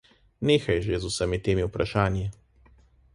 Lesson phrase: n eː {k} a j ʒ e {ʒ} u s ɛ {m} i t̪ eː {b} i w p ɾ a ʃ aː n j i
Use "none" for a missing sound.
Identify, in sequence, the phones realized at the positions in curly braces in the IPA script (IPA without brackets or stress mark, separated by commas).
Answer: x, z, m, m